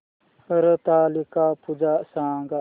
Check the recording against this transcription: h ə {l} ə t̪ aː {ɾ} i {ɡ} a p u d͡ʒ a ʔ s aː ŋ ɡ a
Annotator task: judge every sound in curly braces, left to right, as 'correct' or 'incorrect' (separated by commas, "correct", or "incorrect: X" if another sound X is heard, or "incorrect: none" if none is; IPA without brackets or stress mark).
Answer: incorrect: ɾ, incorrect: l, incorrect: k